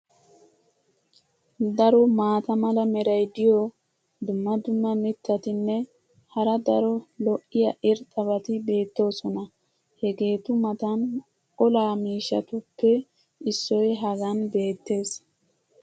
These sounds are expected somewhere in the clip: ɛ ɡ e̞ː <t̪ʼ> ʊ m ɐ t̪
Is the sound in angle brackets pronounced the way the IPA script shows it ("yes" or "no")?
no